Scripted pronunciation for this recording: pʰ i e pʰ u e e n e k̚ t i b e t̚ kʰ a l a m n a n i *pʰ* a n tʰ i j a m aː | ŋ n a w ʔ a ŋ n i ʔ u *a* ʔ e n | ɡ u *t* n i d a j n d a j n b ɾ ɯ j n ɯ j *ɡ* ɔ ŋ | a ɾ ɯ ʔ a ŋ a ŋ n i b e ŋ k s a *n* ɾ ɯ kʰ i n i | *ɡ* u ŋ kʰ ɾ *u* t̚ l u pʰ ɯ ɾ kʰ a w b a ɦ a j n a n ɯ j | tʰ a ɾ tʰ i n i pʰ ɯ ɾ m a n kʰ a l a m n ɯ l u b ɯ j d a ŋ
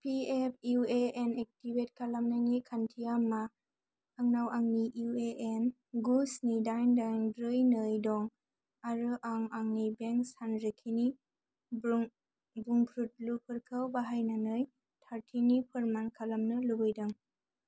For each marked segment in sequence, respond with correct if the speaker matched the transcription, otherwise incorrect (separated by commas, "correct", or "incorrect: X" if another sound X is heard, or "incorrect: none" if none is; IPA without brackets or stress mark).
incorrect: kʰ, incorrect: e, incorrect: s, incorrect: d, correct, incorrect: b, correct